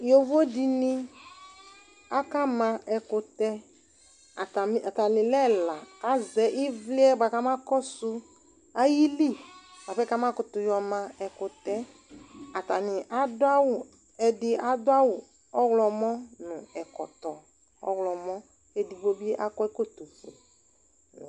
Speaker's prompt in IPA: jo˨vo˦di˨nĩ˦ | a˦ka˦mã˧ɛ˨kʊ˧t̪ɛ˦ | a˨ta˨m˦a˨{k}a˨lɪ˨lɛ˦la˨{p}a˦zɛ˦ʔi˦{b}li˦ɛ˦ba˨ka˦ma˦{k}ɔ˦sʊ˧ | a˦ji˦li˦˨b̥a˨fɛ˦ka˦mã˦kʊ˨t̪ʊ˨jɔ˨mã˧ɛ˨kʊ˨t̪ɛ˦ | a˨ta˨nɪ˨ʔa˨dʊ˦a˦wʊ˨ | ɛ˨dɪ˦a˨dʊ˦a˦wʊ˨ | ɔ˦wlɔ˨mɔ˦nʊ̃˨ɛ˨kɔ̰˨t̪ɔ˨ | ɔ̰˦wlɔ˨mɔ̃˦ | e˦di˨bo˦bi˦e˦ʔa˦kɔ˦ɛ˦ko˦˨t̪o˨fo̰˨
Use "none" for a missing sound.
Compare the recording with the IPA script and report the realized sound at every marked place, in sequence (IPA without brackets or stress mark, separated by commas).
t, k, v, k